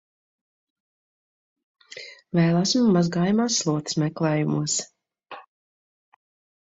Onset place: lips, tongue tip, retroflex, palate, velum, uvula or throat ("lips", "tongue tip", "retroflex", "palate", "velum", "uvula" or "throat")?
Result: lips